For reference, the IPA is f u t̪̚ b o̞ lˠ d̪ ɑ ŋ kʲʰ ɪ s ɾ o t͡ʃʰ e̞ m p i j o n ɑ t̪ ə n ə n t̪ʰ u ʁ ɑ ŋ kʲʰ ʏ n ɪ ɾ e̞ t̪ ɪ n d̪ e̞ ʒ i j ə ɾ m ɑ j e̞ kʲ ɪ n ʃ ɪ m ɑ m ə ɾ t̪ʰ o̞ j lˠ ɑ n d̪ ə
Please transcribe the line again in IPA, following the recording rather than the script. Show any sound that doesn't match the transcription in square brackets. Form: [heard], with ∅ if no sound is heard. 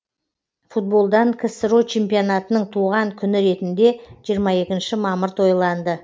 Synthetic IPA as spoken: f u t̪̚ b o̞ lˠ d̪ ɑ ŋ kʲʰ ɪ s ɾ o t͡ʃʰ e̞ m p i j o n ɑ t̪ ə n ə [ɴ] t̪ʰ u ʁ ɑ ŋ kʲʰ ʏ n ɪ ɾ e̞ t̪ ɪ n d̪ e̞ ʒ i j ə ɾ m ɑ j e̞ kʲ ɪ n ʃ ɪ m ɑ m ə ɾ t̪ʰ o̞ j lˠ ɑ n d̪ ə

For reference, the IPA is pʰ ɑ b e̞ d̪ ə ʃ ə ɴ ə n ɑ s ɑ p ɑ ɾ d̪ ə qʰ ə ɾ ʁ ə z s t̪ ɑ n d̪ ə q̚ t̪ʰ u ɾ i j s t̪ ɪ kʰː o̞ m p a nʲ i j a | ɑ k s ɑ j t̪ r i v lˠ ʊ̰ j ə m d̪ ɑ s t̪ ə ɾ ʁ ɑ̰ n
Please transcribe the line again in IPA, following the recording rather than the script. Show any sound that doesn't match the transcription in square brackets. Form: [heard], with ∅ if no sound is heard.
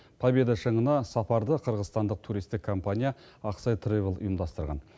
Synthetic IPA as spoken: pʰ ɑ b e̞ d̪ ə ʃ ə ɴ ə n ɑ s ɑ p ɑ ɾ d̪ ə qʰ ə ɾ ʁ ə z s t̪ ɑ n d̪ ə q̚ t̪ʰ u ɾ i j s t̪ ɪ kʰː o̞ m p a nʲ i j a | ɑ [q] s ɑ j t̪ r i v lˠ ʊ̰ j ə m d̪ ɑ s t̪ ə ɾ ʁ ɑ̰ n

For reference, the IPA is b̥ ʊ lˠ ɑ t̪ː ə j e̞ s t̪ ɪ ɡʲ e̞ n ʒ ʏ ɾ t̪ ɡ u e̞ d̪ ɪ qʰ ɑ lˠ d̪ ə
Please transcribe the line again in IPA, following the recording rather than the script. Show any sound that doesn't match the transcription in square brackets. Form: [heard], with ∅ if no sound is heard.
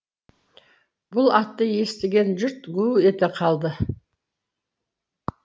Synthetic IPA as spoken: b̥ ʊ lˠ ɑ t̪ː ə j e̞ s t̪ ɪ ɡʲ e̞ n ʒ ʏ ɾ t̪ ɡ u e̞ [t̪] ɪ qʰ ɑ lˠ d̪ ə

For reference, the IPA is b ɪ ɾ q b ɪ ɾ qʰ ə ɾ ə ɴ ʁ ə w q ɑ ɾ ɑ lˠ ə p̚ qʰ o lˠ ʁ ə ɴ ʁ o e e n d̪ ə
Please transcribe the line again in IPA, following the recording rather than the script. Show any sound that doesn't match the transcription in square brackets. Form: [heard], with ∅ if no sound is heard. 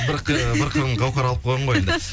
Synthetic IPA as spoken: b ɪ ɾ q b ɪ ɾ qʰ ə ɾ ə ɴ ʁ [ɑ] w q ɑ ɾ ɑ lˠ ə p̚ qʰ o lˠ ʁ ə ɴ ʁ o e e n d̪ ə

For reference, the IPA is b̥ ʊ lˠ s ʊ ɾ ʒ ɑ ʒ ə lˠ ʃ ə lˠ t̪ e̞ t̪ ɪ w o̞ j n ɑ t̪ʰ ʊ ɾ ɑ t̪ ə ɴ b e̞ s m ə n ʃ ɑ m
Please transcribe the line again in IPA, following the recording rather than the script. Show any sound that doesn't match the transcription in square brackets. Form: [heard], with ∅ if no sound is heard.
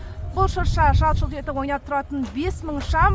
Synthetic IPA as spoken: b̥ ʊ lˠ [ʃ] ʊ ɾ [ʃ] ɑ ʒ [ɑ] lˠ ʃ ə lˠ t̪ e̞ t̪ ɪ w o̞ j n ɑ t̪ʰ ʊ ɾ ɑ t̪ ə [n] b e̞ s m ə [ɴ] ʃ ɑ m

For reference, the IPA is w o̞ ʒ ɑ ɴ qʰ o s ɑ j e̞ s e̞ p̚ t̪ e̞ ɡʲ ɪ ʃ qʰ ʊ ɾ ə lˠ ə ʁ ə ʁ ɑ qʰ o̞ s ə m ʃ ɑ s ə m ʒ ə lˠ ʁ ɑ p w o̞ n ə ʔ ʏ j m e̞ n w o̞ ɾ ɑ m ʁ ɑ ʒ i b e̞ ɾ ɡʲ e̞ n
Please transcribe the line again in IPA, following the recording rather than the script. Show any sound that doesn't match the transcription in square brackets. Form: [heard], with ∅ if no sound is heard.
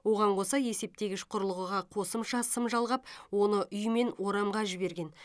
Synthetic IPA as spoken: w o̞ [ʁ] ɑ ɴ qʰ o s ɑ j e̞ s e̞ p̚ t̪ e̞ ɡʲ ɪ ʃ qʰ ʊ ɾ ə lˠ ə ʁ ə ʁ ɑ qʰ o̞ s ə m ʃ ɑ s ə m ʒ [ɑ] lˠ ʁ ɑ p w o̞ n ə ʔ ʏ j m e̞ n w o̞ ɾ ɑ m ʁ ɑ ʒ [ɪ] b e̞ ɾ ɡʲ e̞ n

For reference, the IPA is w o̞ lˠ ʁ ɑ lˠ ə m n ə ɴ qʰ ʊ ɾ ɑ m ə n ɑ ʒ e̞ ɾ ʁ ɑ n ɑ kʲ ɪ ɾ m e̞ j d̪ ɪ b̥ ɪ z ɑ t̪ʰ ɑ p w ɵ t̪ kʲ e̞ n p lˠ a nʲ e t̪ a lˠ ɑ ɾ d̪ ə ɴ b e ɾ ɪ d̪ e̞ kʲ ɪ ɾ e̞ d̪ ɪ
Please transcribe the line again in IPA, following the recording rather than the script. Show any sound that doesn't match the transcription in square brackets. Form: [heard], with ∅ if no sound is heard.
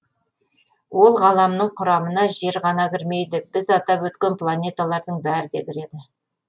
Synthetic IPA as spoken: w o̞ lˠ ʁ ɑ lˠ [ɑ] m n ə ɴ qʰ ʊ ɾ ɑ m ə n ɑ ʒ e̞ ɾ ʁ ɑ n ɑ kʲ ɪ ɾ m e̞ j d̪ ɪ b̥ ɪ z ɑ [t̪] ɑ p w ɵ t̪ kʲ e̞ n p lˠ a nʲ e t̪ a lˠ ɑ ɾ d̪ ə ɴ b [æ] ɾ ɪ d̪ e̞ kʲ ɪ ɾ e̞ d̪ ɪ

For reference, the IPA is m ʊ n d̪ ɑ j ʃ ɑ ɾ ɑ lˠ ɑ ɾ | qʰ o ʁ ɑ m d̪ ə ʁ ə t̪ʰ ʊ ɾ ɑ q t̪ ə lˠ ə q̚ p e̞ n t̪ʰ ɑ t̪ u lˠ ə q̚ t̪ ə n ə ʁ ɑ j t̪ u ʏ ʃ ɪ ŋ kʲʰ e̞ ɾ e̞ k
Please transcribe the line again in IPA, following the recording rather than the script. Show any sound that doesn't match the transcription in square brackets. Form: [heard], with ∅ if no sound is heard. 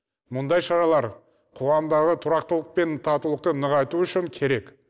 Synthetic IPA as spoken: m ʊ n d̪ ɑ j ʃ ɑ ɾ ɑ lˠ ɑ ɾ | qʰ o ʁ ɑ m d̪ [ɑ] ʁ ə t̪ʰ ʊ ɾ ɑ q t̪ ə lˠ ə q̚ p e̞ n t̪ʰ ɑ t̪ u lˠ ə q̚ t̪ ə n ə ʁ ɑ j t̪ u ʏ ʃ ɪ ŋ kʲʰ e̞ ɾ e̞ k

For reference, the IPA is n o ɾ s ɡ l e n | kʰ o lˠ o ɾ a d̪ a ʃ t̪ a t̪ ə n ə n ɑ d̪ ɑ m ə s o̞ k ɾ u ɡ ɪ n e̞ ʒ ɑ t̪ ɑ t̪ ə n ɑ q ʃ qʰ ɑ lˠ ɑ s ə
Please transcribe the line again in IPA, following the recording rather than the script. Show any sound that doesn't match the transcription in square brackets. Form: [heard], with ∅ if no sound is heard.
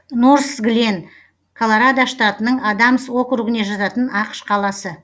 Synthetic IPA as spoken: n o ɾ s ɡ l e n | kʰ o lˠ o ɾ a d̪ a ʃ t̪ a t̪ ə n ə [ɴ] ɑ d̪ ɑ m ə s o̞ k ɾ u ɡ ɪ n e̞ ʒ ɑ t̪ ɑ t̪ ə n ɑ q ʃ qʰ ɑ lˠ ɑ s ə

